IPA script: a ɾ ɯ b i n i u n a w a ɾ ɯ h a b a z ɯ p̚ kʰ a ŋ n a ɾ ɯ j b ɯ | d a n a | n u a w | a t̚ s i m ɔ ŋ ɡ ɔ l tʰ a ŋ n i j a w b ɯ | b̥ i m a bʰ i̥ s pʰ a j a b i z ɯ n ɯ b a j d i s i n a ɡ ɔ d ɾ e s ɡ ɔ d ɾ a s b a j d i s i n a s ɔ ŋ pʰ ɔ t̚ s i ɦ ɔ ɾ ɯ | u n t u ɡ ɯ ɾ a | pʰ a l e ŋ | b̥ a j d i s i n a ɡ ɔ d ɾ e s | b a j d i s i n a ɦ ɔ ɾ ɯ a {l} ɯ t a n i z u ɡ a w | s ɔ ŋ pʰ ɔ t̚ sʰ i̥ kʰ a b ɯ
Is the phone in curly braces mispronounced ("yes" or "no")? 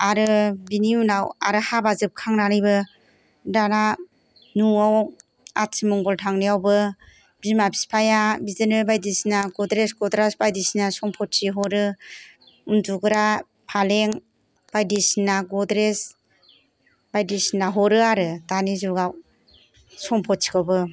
yes